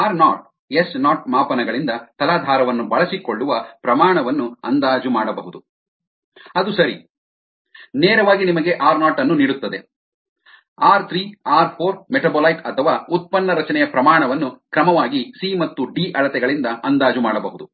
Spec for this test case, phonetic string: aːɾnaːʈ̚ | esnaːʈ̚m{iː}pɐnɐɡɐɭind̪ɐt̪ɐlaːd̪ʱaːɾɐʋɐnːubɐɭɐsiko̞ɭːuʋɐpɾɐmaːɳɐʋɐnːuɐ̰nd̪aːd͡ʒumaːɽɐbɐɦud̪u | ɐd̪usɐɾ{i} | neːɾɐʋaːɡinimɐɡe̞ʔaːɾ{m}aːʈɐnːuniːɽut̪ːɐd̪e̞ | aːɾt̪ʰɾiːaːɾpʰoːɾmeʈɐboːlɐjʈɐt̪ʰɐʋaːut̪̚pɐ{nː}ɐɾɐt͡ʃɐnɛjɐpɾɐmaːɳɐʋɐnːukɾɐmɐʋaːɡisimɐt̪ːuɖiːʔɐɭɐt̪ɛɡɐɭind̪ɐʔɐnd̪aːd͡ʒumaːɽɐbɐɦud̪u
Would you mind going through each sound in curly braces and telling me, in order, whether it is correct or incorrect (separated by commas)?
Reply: incorrect, correct, incorrect, correct